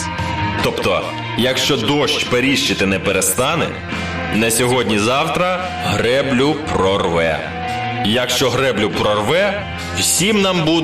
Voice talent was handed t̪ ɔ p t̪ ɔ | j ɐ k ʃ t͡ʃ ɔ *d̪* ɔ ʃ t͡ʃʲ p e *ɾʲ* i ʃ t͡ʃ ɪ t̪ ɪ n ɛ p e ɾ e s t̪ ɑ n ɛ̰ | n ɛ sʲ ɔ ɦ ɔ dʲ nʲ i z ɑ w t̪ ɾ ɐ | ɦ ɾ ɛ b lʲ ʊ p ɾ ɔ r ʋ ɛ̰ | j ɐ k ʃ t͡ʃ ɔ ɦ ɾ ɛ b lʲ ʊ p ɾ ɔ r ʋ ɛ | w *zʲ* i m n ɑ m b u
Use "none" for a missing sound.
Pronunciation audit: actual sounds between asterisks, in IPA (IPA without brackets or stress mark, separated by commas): d̪, ɾʲ, sʲ